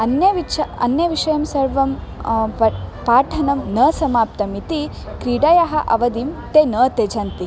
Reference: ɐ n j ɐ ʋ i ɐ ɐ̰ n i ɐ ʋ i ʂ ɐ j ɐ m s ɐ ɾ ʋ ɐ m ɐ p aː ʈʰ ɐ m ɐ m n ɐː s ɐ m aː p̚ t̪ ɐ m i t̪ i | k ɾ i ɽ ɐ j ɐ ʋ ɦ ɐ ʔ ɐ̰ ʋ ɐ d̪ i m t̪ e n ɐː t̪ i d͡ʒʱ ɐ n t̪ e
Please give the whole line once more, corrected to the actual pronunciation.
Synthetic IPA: ɐ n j ɐ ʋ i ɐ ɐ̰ n j ɐ ʋ i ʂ ɐ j ɐ m s ɐ ɾ ʋ ɐ m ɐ p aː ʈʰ ɐ n ɐ m n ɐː s ɐ m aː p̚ t̪ ɐ m i t̪ i | k ɾ i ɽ ɐ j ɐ ɦ ɐ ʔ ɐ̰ ʋ ɐ d̪ i m t̪ e n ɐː t̪ e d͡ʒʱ ɐ n t̪ i

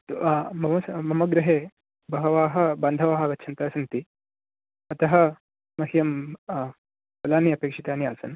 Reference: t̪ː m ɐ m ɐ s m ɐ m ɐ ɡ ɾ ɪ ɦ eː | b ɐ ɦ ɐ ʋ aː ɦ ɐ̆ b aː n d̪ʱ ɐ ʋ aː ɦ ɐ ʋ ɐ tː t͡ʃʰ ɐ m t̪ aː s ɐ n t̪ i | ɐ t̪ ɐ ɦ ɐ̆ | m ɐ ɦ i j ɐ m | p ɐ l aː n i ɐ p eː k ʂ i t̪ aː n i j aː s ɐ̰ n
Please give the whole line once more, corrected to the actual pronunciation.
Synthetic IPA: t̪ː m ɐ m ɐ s m ɐ m ɐ ɡ ɾ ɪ ɦ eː | b ɐ ɦ ɐ ʋ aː ɦ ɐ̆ b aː n d̪ʱ ɐ ʋ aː ɦ ɐ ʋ ɐ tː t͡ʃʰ ɐ n t̪ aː s ɐ n t̪ i | ɐ t̪ ɐ ɦ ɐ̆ | m ɐ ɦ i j ɐ m | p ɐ l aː n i ɐ p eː k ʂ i t̪ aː n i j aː s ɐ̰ n

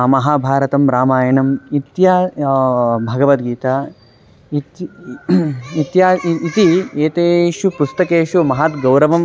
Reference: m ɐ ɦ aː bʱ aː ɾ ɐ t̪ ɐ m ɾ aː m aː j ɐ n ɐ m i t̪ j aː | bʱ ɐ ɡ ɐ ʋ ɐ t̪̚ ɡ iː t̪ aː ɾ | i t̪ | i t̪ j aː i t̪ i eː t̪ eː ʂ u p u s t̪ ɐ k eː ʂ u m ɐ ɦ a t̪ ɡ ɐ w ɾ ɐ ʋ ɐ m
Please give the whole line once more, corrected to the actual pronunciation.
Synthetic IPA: m ɐ ɦ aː bʱ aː ɾ ɐ t̪ ɐ m ɾ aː m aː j ɐ n ɐ m i t̪ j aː | bʱ ɐ ɡ ɐ ʋ ɐ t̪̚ ɡ iː t̪ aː | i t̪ | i t̪ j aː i t̪ i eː t̪ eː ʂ u p u s t̪ ɐ k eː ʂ u m ɐ ɦ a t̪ ɡ ɐ w ɾ ɐ ʋ ɐ m

